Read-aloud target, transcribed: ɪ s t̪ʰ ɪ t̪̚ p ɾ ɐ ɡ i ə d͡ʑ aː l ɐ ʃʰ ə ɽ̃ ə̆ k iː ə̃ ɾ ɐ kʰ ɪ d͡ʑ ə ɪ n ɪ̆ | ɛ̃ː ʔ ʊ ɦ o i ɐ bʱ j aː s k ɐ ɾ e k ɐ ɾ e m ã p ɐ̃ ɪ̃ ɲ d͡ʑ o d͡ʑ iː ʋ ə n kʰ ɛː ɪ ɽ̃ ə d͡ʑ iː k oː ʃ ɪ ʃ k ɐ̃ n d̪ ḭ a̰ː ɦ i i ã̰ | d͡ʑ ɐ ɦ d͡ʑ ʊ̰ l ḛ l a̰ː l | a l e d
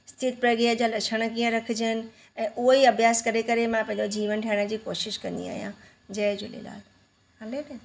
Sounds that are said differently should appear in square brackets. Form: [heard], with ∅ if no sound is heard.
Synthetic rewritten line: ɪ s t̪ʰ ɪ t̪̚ p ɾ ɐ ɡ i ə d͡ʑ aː l ɐ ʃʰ ə ɽ̃ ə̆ k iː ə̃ ɾ ɐ kʰ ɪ d͡ʑ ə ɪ n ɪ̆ | ɛ̃ː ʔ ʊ ɦ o i ɐ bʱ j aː s k ɐ ɾ e k ɐ ɾ e m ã p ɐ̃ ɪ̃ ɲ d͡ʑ o d͡ʑ iː ʋ ə n [ʈʰ] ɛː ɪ ɽ̃ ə d͡ʑ iː k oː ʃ ɪ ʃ k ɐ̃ n d̪ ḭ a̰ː ɦ i [j] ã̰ | d͡ʑ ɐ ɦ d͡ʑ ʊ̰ l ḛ l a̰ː l | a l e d

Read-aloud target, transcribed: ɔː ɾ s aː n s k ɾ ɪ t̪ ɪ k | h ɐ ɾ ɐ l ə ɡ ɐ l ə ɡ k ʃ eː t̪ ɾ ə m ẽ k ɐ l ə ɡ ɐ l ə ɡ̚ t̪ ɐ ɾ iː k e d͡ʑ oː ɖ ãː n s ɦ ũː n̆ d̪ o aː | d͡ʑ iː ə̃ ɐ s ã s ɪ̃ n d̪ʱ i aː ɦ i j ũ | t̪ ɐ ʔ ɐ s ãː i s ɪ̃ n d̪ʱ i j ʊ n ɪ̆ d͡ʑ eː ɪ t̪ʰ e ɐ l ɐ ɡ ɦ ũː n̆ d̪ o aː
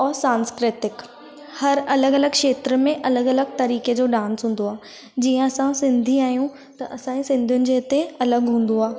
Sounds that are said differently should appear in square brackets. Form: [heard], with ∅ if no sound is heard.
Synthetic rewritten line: ɔː ɾ s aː n s k ɾ ɪ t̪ ɪ k | h ɐ ɾ ɐ l ə ɡ ɐ l ə ɡ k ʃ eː t̪ ɾ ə m ẽ [ʔ] ɐ l ə ɡ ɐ l ə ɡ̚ t̪ ɐ ɾ iː k e d͡ʑ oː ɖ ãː n s ɦ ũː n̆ d̪ o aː | d͡ʑ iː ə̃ ɐ s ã s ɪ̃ n d̪ʱ i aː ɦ i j ũ | t̪ ɐ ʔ ɐ s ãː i s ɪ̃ n d̪ʱ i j ʊ n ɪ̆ d͡ʑ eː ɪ [t̪] e ɐ l [ə] ɡ ɦ ũː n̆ d̪ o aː

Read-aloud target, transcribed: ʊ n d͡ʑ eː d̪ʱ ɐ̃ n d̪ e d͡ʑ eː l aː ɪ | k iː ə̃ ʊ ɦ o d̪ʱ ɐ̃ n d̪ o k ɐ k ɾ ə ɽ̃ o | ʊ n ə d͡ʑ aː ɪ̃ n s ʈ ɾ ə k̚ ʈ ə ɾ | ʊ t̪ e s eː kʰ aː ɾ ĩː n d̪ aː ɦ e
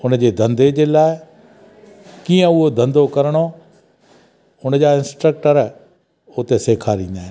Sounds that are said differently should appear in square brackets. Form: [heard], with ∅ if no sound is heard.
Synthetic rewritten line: ʊ n d͡ʑ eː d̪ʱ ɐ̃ n d̪ e d͡ʑ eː l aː ɪ | k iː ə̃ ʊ ɦ o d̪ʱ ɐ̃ n d̪ o k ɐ [∅] ɾ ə ɽ̃ o | ʊ n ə d͡ʑ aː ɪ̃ n s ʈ ɾ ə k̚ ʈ ə ɾ | ʊ t̪ e s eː kʰ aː ɾ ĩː n d̪ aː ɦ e

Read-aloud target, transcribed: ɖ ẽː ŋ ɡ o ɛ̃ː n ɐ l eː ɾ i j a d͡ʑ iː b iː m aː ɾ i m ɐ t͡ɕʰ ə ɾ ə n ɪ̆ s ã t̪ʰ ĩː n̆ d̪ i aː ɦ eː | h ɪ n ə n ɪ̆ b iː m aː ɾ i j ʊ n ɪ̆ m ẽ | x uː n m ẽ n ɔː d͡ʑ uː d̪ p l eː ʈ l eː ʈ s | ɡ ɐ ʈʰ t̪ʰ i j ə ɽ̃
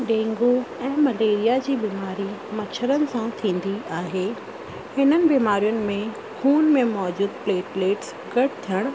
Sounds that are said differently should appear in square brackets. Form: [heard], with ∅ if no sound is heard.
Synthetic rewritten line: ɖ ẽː ŋ ɡ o ɛ̃ː [m] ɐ l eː ɾ i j a d͡ʑ iː b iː m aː ɾ i m ɐ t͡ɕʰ ə ɾ ə n ɪ̆ s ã t̪ʰ ĩː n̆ d̪ i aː ɦ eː | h ɪ n ə n ɪ̆ b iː m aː ɾ i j ʊ n ɪ̆ m ẽ | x uː n m ẽ [m] ɔː d͡ʑ uː d̪ p l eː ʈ l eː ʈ s | ɡ ɐ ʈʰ t̪ʰ i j ə ɽ̃

